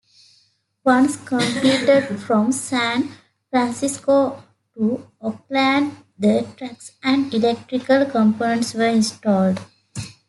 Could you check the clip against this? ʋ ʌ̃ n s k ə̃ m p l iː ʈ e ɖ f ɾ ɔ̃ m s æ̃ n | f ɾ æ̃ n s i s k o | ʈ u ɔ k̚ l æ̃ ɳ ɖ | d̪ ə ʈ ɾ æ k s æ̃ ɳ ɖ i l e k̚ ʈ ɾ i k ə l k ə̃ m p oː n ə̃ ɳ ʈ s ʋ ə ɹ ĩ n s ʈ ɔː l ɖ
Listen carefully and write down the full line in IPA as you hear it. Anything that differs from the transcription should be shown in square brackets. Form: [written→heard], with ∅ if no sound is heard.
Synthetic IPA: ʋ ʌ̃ n s k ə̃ m p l iː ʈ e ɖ f ɾ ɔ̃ m s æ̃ n | f ɾ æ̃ n s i s k o | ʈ u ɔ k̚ l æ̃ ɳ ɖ | d̪ ə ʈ ɾ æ k s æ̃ ɳ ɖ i l e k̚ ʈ ɾ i k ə l k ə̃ m p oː n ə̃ ɳ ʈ s ʋ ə [ɹ→ɾ] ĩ n s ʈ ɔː l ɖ